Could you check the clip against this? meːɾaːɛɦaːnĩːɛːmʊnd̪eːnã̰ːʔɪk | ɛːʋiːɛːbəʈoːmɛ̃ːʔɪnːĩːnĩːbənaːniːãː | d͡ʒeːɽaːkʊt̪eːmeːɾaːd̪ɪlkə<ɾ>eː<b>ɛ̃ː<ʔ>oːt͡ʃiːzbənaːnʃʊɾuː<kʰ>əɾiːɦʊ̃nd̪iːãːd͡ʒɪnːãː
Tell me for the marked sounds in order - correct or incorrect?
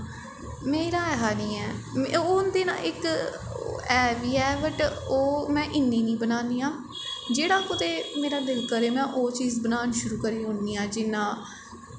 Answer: correct, incorrect, correct, incorrect

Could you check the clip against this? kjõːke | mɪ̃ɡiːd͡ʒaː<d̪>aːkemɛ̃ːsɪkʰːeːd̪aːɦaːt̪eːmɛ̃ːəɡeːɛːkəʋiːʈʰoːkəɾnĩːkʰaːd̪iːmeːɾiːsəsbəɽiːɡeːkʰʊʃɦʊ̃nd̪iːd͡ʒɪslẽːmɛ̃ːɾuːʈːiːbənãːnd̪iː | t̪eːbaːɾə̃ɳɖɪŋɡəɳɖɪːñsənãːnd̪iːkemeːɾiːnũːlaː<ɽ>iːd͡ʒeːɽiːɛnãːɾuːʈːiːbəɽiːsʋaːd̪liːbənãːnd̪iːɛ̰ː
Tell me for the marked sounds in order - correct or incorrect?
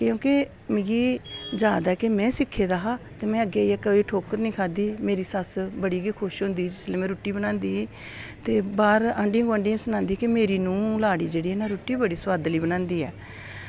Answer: correct, correct

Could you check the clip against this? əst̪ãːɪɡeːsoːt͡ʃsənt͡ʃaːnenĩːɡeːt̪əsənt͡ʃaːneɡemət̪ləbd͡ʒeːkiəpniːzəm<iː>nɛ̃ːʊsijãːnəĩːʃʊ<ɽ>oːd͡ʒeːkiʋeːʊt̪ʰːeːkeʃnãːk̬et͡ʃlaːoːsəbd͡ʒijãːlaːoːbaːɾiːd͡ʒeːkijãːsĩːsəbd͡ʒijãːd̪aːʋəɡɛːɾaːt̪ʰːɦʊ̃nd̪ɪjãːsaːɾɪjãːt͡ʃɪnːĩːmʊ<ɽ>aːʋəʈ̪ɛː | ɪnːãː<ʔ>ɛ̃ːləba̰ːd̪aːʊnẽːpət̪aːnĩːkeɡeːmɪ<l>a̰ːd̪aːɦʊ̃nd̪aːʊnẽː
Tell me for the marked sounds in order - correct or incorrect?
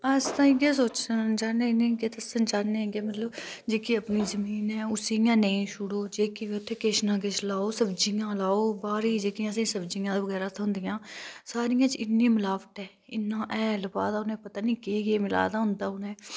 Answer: correct, correct, incorrect, correct, correct

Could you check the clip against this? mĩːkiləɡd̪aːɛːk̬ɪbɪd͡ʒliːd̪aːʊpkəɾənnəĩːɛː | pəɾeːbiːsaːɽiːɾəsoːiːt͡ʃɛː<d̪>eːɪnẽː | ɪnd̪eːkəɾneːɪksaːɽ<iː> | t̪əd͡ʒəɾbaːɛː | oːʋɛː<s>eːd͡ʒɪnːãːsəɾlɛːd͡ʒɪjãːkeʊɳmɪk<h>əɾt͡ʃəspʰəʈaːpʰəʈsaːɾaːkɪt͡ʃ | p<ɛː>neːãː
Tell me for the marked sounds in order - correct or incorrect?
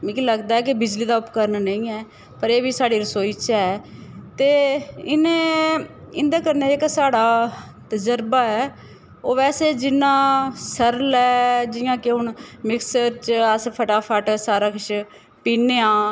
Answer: incorrect, incorrect, correct, incorrect, incorrect

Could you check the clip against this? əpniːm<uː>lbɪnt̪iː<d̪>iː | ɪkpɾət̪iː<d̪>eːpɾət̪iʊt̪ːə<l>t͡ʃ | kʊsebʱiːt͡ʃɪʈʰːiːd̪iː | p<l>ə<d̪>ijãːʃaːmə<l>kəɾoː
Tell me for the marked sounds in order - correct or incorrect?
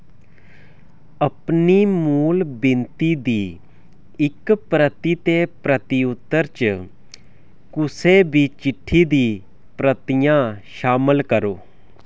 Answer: correct, correct, incorrect, incorrect, incorrect, incorrect, correct

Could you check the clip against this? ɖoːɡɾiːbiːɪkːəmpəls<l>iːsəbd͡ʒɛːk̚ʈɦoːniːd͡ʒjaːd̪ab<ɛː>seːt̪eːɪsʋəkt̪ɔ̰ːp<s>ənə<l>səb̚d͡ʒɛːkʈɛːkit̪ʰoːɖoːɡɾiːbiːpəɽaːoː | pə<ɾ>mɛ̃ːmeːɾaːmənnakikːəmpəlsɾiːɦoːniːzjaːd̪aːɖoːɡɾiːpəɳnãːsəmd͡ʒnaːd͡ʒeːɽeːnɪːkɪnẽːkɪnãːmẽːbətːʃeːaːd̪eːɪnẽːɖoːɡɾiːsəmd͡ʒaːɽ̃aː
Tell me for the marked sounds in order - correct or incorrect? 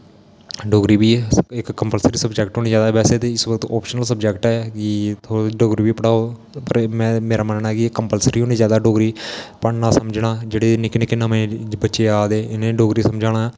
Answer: incorrect, correct, incorrect, correct, correct

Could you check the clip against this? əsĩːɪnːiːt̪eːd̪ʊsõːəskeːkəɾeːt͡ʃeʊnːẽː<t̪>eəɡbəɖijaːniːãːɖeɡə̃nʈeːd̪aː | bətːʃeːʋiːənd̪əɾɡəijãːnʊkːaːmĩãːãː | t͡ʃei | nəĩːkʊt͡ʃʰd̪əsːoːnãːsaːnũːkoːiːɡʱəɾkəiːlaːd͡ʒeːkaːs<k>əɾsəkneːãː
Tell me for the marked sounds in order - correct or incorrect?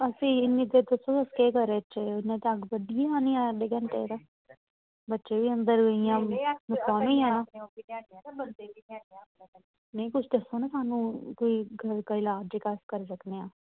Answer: correct, correct

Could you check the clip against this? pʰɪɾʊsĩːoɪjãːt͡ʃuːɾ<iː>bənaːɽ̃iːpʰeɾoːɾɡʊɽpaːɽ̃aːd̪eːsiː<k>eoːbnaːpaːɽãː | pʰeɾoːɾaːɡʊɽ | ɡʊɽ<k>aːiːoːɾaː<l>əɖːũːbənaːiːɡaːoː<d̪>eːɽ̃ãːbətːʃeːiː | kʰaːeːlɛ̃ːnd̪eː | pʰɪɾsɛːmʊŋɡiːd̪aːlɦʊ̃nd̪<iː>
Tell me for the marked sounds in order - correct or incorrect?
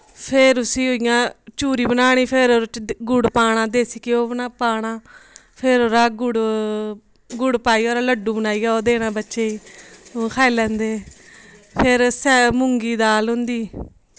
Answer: correct, correct, incorrect, correct, correct, correct

